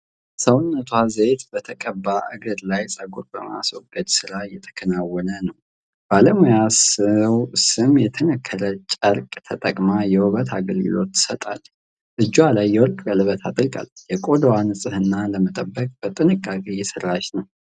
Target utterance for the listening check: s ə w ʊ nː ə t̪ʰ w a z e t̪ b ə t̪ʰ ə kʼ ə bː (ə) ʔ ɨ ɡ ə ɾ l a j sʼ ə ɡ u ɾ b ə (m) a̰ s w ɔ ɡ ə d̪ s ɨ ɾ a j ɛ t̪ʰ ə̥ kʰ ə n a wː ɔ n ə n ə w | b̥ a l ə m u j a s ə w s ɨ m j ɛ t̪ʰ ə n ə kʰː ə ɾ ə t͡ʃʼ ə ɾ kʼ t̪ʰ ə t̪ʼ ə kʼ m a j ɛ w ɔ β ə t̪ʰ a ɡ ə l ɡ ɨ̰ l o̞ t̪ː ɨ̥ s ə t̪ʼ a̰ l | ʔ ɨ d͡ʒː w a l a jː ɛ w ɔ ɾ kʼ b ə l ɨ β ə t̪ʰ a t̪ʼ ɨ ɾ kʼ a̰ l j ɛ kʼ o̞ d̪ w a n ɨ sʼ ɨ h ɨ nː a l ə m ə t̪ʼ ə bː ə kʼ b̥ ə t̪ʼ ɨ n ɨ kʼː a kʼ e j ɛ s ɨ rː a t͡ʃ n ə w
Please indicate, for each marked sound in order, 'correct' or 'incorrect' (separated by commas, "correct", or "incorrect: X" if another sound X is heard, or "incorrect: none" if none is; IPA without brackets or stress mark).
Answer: incorrect: a, correct